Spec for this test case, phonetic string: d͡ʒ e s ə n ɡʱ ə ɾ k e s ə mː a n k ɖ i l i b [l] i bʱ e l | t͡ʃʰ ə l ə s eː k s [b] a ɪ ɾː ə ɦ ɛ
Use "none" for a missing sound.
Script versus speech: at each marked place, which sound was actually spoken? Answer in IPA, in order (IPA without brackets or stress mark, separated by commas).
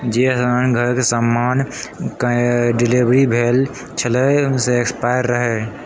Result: ɾ, p